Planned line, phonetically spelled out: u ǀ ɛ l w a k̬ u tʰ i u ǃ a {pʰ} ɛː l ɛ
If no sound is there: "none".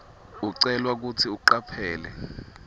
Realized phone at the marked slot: pʰ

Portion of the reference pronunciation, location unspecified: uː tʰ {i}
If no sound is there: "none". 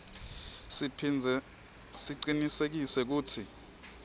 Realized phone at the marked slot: i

